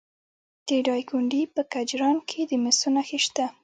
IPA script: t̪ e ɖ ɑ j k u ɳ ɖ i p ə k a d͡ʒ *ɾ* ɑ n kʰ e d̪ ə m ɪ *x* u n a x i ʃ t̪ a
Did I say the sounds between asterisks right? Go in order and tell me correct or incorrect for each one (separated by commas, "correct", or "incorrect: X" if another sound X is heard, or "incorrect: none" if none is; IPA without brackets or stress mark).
correct, incorrect: s